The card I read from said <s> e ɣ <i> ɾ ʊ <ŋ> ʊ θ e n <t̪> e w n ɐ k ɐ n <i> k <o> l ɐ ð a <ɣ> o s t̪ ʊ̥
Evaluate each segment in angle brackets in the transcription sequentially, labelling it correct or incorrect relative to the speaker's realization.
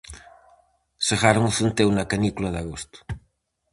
correct, incorrect: a, correct, correct, correct, incorrect: u, correct

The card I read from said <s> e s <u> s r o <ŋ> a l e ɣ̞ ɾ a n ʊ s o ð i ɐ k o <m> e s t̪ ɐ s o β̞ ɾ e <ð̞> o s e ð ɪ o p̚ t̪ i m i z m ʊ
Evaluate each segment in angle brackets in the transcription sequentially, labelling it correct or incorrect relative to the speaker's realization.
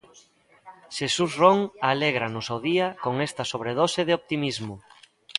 incorrect: ʃ, correct, correct, incorrect: ŋ, correct

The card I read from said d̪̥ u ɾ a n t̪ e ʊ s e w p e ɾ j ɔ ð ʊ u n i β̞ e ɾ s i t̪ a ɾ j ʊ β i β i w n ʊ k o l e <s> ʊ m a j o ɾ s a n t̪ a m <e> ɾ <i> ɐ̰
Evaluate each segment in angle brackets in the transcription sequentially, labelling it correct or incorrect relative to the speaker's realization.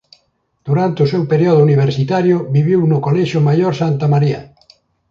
incorrect: ʃ, incorrect: a, correct

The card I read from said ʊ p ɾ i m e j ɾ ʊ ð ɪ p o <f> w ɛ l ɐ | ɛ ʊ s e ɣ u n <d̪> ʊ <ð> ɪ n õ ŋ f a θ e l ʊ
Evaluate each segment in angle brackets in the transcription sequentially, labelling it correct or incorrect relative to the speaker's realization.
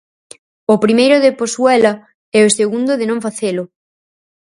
incorrect: s, correct, correct

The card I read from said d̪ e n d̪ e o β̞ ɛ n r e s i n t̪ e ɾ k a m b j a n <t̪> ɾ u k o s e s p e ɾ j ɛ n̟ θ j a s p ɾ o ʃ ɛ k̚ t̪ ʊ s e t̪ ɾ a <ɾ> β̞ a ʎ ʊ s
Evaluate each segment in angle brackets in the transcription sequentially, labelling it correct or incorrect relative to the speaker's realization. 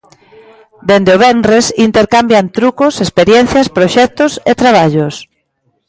correct, incorrect: none

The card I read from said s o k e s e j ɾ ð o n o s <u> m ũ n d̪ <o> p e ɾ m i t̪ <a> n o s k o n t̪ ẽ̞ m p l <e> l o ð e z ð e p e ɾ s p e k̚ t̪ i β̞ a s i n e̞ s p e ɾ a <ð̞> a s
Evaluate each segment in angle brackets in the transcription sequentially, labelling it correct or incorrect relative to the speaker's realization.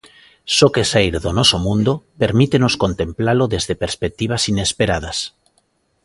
incorrect: o, correct, incorrect: e, incorrect: a, correct

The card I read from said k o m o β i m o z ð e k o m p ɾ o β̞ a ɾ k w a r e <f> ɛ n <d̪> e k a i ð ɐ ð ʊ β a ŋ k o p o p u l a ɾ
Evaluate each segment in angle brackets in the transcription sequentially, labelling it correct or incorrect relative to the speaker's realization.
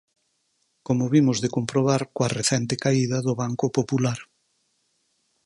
incorrect: θ, incorrect: t̪

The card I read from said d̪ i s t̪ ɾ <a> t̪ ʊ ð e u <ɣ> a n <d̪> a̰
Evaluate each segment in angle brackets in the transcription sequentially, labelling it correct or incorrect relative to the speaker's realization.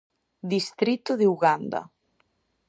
incorrect: i, correct, correct

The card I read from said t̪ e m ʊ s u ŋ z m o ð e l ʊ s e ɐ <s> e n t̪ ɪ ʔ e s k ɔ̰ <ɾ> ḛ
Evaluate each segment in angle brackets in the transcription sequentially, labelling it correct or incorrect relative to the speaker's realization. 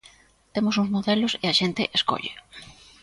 incorrect: ʃ, incorrect: ʎ

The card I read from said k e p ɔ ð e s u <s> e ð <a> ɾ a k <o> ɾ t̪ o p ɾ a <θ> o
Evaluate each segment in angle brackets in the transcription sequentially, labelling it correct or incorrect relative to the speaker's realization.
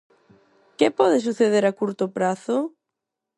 incorrect: θ, incorrect: e, incorrect: u, correct

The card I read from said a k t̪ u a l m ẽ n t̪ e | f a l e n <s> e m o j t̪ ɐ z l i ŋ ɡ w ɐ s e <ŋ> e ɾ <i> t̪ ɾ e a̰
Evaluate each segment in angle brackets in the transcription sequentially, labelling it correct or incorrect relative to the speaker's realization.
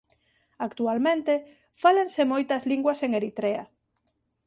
correct, correct, correct

